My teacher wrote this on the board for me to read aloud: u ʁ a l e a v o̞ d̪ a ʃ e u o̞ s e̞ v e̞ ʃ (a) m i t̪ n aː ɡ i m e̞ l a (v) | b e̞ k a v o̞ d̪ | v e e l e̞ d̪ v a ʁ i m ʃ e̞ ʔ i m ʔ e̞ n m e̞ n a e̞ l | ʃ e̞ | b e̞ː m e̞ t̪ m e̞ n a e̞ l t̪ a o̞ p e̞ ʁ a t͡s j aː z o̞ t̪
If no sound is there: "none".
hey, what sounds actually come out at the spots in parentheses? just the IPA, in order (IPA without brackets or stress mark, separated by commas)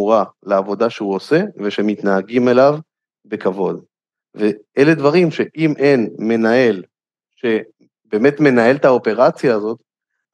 e, v